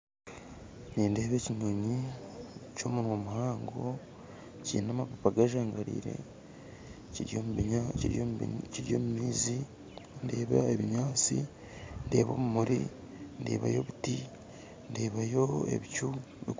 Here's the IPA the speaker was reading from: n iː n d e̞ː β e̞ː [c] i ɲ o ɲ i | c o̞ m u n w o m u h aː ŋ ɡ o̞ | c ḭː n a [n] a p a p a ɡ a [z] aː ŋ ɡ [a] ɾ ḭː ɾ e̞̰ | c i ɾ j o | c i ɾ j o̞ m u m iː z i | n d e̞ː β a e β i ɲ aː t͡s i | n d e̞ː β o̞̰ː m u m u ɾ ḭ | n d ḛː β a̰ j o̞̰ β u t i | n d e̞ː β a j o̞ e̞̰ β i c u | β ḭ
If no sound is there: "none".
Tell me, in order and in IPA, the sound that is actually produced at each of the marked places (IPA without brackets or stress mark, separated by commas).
c, m, ʒ, a